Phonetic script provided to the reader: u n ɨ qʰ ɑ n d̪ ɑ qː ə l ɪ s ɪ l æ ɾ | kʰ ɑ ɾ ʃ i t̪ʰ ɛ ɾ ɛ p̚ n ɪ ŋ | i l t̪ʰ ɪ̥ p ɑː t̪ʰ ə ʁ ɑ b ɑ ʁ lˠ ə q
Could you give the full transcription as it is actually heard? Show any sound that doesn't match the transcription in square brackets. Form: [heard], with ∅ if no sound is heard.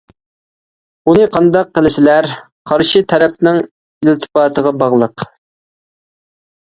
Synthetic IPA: u n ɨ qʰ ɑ n d̪ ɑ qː ə l ɪ s ɪ l æ ɾ | [qʰ] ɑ ɾ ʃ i t̪ʰ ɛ ɾ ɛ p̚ n ɪ ŋ | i l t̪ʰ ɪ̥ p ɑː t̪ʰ ə ʁ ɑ b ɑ ʁ lˠ ə q